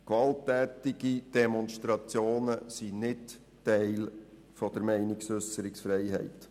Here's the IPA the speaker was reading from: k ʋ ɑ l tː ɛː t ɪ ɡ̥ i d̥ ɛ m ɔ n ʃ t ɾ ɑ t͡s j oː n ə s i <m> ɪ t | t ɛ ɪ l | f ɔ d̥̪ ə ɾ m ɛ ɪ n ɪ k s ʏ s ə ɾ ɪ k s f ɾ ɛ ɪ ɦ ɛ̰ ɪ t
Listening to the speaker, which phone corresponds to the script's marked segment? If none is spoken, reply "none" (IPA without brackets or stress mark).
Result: n